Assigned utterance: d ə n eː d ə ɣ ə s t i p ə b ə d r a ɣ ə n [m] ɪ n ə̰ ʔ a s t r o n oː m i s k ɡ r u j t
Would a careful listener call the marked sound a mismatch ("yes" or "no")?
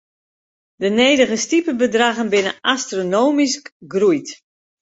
yes